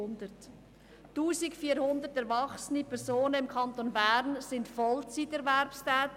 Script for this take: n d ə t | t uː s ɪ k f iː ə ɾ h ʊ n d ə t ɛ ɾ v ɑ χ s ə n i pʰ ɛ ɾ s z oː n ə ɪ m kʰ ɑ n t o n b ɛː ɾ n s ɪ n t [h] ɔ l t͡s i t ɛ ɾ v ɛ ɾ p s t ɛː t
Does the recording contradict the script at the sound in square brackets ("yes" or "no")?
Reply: yes